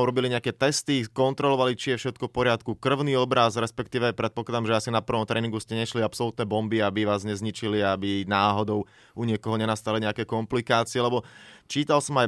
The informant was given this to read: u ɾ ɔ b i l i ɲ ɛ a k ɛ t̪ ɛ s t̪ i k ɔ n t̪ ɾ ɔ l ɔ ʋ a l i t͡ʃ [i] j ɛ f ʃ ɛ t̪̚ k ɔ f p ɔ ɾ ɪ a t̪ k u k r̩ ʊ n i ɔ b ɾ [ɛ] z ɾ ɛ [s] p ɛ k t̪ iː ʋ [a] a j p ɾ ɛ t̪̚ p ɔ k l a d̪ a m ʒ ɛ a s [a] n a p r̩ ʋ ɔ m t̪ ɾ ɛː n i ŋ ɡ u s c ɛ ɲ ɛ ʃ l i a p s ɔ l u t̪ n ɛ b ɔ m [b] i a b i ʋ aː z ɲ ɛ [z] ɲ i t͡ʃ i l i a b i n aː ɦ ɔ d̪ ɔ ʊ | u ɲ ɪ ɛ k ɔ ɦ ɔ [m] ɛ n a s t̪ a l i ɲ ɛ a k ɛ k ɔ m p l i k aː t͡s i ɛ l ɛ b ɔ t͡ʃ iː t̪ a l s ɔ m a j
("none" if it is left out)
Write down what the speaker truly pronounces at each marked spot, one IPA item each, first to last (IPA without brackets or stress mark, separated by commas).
i, a, s, ɛ, i, b, z, ɲ